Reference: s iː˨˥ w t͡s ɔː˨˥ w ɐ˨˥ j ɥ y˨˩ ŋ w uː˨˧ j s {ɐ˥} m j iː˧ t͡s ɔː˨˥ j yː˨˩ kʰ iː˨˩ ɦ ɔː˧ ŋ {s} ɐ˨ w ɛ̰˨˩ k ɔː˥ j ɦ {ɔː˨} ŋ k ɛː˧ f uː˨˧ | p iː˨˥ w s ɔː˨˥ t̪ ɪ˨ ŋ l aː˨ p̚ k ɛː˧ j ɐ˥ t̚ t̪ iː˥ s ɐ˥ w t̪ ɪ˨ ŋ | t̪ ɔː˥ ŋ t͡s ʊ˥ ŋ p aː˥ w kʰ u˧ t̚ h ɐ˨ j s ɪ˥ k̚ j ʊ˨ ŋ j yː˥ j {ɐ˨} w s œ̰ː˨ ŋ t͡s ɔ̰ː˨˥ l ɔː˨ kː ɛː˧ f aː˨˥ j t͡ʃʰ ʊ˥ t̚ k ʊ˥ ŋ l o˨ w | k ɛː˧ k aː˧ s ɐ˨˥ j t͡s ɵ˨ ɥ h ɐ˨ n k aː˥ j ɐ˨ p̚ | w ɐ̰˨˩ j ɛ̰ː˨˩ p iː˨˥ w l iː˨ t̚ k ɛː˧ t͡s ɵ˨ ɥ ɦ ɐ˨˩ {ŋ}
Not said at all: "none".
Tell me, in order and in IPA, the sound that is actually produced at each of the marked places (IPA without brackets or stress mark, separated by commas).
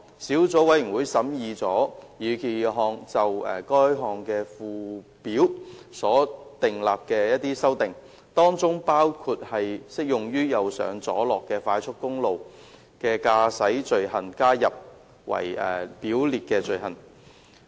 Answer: ɐ˨˥, t͡s, ɔː˨, ɐ˨, n